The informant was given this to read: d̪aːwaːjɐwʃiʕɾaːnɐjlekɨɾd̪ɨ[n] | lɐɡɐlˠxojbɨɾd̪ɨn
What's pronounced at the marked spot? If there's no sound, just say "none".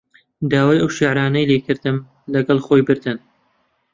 m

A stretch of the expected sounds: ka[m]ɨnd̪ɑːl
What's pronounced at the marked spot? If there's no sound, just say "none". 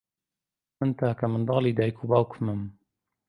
m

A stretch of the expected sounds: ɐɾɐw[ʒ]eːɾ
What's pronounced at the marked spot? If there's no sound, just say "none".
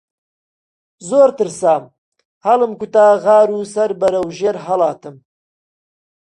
ʒ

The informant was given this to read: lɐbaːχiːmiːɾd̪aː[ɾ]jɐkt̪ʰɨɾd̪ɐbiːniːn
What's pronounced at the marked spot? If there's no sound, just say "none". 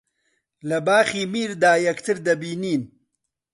none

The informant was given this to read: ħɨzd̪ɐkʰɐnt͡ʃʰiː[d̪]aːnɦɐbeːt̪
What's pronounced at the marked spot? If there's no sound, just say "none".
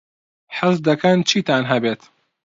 t̪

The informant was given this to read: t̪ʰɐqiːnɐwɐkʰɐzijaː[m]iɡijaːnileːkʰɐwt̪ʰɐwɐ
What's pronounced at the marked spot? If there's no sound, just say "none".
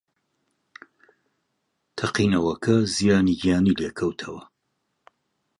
n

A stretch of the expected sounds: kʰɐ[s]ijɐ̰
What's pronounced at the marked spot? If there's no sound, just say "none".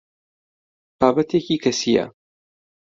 s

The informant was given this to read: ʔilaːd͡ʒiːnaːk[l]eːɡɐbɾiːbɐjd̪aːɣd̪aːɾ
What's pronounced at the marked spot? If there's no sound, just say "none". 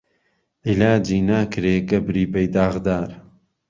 ɾ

